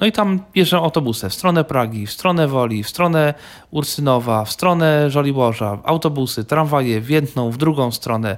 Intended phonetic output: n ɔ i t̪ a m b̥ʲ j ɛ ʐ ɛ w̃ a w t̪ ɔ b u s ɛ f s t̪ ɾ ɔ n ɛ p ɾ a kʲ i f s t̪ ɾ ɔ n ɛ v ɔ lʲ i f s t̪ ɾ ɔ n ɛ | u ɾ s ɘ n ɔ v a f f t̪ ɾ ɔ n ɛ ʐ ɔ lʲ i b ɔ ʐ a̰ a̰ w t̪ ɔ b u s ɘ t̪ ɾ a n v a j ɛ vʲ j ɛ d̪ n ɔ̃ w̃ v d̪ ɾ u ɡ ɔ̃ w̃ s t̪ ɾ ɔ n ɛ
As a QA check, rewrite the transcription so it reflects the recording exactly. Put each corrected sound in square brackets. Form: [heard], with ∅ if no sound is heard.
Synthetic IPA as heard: n ɔ i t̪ a m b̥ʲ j ɛ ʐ ɛ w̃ a w t̪ ɔ b u s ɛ f s t̪ ɾ ɔ n ɛ p ɾ a [ɡʲ] i f s t̪ ɾ ɔ n ɛ v ɔ lʲ i f s t̪ ɾ ɔ n ɛ | u ɾ s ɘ n ɔ v a f [s] t̪ ɾ ɔ n ɛ ʐ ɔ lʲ i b ɔ ʐ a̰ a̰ w t̪ ɔ b u s ɘ t̪ ɾ a n v a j ɛ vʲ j ɛ d̪ n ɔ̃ w̃ v d̪ ɾ u ɡ ɔ̃ w̃ s t̪ ɾ ɔ n ɛ